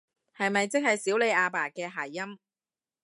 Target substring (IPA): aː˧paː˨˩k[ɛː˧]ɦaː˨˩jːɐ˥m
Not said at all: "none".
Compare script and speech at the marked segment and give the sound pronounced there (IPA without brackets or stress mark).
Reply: ɛː˧